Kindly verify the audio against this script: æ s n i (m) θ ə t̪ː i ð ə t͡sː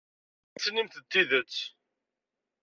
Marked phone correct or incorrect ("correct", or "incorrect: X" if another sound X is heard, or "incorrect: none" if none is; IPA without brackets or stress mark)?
correct